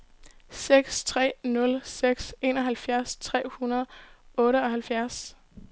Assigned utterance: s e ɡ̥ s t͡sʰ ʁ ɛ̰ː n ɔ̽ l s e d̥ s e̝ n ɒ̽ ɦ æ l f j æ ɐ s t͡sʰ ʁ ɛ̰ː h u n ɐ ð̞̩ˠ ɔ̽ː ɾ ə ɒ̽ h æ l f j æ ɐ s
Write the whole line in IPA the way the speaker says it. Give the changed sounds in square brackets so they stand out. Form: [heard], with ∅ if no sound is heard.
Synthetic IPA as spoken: s e ɡ̥ s t͡sʰ ʁ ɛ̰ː n ɔ̽ l s e [ɡ̥] s e̝ n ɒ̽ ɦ æ l f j æ ɐ s t͡sʰ ʁ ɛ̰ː h u n ɐ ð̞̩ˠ ɔ̽ː ɾ ə ɒ̽ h æ l f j æ ɐ s